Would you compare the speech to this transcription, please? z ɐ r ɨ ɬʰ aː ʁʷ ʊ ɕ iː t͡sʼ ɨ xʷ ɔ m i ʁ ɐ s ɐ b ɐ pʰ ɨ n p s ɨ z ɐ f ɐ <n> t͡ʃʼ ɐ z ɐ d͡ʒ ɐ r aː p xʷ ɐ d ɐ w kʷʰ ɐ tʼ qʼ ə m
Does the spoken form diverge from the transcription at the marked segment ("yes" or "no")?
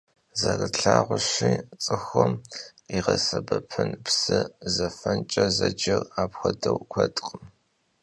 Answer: no